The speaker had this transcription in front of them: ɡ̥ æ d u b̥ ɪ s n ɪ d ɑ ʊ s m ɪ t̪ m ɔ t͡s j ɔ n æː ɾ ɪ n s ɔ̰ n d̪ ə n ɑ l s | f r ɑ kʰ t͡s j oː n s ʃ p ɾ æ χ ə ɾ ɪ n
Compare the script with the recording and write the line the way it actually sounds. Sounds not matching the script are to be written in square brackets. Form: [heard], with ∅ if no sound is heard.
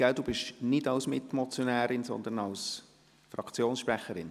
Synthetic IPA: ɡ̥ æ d u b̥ ɪ [ʃ] n ɪ d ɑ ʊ s m ɪ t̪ m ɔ t͡s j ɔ n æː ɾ ɪ n s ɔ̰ n d̪ ə n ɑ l s | f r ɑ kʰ t͡s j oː n s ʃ p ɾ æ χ ə ɾ ɪ n